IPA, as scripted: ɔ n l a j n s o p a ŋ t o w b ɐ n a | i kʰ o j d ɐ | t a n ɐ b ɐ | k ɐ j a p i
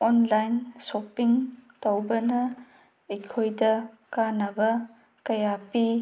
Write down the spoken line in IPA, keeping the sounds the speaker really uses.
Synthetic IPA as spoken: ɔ n l a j n s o p i ŋ t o w b ɐ n ɐ | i kʰ o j d ɐ | k a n ɐ b ɐ | k ɐ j a p i